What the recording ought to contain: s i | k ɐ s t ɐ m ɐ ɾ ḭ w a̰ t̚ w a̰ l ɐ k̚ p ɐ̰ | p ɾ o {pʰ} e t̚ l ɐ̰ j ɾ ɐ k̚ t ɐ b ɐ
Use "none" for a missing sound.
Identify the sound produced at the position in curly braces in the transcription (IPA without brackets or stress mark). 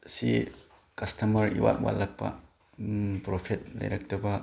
pʰ